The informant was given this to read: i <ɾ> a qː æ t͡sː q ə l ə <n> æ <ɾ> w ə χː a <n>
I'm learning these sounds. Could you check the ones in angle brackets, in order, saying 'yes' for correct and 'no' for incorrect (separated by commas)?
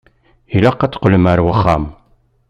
no, no, yes, no